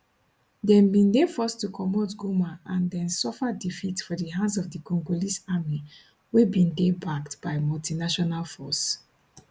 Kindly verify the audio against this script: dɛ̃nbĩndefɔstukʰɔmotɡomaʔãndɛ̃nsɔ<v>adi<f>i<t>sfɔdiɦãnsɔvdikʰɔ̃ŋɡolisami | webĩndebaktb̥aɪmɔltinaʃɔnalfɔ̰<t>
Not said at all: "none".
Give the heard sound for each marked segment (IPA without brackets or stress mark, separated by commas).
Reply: f, f, t, s